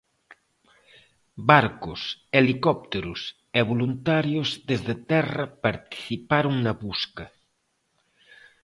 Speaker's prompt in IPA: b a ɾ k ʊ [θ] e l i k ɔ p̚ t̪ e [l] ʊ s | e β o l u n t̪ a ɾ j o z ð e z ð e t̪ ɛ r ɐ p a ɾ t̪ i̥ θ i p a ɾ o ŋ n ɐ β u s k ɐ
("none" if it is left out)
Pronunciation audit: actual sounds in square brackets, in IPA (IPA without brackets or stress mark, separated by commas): s, ɾ